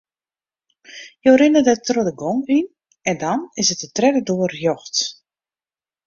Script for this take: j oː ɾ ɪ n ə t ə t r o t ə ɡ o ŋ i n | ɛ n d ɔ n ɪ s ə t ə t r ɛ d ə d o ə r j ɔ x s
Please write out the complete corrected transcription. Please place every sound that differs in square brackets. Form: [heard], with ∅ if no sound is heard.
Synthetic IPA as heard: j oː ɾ ɪ n ə [d] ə t r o [d] ə ɡ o ŋ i n | ɛ n d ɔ n ɪ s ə t ə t r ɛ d ə d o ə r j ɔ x [t]